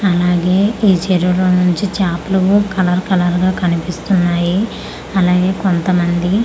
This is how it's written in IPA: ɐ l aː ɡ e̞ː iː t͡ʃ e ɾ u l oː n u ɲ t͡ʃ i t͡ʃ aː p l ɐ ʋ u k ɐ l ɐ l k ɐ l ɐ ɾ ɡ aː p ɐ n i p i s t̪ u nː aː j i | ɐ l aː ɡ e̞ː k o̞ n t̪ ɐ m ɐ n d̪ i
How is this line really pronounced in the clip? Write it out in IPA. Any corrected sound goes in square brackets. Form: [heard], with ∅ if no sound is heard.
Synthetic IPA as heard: ɐ l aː ɡ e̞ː iː t͡ʃ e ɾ u l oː n u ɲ t͡ʃ i t͡ʃ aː p l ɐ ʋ u k ɐ l ɐ [ɾ] k ɐ l ɐ ɾ ɡ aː [k] ɐ n i p i s t̪ u nː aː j i | ɐ l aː ɡ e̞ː k o̞ n t̪ ɐ m ɐ n d̪ i